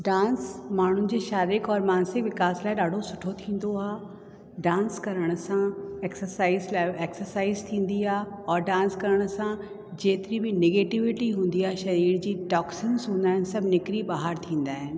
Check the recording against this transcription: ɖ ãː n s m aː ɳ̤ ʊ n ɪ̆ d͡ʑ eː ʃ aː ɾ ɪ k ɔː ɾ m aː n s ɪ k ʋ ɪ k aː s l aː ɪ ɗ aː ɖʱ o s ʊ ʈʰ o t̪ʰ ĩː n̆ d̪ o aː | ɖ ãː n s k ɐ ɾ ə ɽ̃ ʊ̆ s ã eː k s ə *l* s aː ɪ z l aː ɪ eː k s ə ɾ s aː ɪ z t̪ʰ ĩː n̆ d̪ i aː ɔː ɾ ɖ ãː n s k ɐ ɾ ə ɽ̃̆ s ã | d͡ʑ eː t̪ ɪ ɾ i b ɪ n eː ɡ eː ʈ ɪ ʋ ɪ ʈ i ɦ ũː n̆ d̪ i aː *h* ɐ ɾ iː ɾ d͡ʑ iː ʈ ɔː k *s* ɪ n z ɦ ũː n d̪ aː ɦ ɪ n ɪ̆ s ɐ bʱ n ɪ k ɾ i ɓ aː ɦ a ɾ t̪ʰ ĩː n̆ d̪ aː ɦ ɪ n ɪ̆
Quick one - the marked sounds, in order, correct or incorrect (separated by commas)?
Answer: incorrect, incorrect, correct